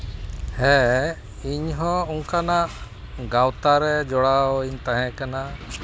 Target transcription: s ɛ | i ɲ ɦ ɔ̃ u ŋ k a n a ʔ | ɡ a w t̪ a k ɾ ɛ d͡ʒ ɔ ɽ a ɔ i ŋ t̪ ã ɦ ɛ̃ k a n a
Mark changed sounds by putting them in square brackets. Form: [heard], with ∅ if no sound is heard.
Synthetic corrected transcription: [h] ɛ | i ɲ ɦ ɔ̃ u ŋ k a n a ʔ | ɡ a w t̪ a [∅] ɾ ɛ d͡ʒ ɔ ɽ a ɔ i [ɲ] t̪ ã ɦ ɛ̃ k a n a